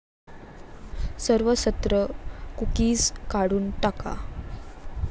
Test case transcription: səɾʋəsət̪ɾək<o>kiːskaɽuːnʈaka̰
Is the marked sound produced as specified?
no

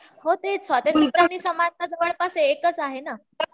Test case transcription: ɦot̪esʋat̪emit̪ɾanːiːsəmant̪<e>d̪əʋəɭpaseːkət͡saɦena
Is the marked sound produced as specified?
no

